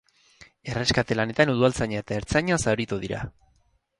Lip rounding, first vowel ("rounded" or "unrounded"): unrounded